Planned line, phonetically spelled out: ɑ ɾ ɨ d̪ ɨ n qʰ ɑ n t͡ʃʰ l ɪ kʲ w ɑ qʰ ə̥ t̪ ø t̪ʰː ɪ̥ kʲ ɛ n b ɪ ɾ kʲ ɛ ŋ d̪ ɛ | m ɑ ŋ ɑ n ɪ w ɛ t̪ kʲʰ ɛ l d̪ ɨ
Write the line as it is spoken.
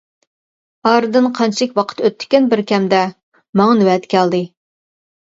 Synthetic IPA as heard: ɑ ɾ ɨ d̪ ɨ n qʰ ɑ n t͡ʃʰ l ɪ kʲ w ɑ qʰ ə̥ t̪ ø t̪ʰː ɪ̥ kʲ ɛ n b ɪ ɾ kʲ ɛ m d̪ ɛ | m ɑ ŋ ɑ n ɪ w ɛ t̪ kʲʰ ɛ l d̪ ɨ